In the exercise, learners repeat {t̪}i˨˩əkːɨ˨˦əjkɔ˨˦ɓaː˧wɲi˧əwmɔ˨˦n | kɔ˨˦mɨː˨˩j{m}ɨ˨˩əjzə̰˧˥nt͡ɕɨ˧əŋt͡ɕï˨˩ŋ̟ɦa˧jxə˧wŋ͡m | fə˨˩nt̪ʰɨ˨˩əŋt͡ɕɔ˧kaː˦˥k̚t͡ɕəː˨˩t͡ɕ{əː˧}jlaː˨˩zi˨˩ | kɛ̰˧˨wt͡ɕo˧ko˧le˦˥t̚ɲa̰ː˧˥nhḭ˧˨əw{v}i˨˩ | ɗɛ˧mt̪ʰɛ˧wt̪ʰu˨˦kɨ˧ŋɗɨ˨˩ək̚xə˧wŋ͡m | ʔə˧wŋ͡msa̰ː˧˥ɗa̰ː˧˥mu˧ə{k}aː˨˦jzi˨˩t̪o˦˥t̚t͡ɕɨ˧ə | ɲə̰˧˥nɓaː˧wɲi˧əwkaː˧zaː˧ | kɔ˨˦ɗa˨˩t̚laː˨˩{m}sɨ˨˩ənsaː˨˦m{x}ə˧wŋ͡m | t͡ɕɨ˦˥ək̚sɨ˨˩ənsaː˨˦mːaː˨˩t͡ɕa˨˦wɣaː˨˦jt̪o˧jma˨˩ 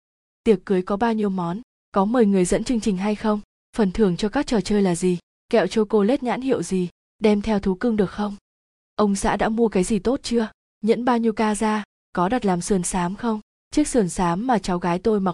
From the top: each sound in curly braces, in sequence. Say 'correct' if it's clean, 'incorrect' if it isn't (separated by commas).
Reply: correct, incorrect, correct, incorrect, correct, correct, correct